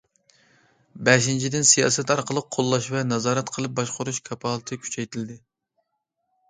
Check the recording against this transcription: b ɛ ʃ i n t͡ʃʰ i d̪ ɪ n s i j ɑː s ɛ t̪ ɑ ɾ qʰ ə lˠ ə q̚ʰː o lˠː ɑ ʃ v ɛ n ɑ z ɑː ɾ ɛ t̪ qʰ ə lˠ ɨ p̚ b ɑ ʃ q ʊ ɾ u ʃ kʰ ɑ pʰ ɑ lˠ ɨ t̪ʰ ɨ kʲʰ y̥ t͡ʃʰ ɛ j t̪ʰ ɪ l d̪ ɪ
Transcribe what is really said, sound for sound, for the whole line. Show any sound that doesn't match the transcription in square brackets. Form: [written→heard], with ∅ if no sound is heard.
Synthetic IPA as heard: b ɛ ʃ i n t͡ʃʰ i d̪ ɪ n s i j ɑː s ɛ t̪ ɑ ɾ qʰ ə lˠ ə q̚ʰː o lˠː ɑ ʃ v ɛ n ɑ z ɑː ɾ ɛ t̪ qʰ ə lˠ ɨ p̚ b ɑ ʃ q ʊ ɾ u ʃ kʰ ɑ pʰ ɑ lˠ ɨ t̪ʰ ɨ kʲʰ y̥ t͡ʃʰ ɛ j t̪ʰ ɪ l d̪ ɪ